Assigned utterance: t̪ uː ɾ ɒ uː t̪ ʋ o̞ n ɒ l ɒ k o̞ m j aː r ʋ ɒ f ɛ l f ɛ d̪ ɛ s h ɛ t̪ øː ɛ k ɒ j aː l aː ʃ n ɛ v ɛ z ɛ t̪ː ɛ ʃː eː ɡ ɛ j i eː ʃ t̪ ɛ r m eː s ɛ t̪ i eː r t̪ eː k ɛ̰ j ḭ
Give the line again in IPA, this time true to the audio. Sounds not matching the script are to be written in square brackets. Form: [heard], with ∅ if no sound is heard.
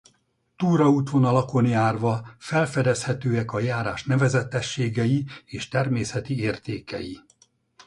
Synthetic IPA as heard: t̪ uː ɾ ɒ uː t̪ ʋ o̞ n ɒ l ɒ k o̞ [n] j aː r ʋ ɒ f ɛ l f ɛ d̪ ɛ s h ɛ t̪ øː ɛ k ɒ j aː [ɾ] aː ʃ n ɛ v ɛ z ɛ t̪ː ɛ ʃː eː ɡ ɛ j i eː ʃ t̪ ɛ r m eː s ɛ t̪ i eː r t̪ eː k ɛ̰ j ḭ